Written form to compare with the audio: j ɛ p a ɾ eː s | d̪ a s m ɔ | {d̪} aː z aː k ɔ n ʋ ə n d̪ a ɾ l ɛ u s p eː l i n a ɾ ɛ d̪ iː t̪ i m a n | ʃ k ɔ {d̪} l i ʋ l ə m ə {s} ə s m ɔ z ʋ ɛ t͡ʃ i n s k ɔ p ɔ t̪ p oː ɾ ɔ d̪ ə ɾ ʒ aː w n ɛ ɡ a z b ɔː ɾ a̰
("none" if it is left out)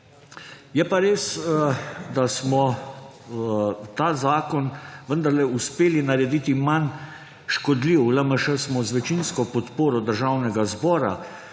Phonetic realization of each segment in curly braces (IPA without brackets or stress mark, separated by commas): t̪, d̪, ʃ